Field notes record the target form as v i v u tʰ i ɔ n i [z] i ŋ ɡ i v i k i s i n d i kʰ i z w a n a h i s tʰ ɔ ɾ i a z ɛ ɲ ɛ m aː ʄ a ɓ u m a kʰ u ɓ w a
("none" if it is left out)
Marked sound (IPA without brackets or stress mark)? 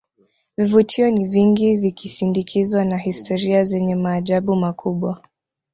v